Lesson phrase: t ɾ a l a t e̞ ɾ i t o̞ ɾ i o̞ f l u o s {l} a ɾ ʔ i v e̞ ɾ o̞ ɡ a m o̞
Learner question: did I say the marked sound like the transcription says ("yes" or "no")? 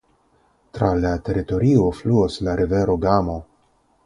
yes